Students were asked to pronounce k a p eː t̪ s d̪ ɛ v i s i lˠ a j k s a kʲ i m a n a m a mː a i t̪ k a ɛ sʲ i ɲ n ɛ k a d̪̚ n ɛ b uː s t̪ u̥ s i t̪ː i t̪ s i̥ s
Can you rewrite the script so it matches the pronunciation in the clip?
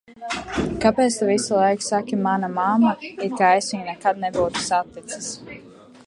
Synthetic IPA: k a p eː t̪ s t̪ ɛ v i s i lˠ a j k s a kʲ i m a n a m a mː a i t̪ k a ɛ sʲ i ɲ n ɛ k a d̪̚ n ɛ b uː t̪ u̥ s a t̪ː i t̪ s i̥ s